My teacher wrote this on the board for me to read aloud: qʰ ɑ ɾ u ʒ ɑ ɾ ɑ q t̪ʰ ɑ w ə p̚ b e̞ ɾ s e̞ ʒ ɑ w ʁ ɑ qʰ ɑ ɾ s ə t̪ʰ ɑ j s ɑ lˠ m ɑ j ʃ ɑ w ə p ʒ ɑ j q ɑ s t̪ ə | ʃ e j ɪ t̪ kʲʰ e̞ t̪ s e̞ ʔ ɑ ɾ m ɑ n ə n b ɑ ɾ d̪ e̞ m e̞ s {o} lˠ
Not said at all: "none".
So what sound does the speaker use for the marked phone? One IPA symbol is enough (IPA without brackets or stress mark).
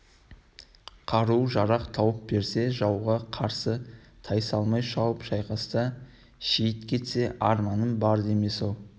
o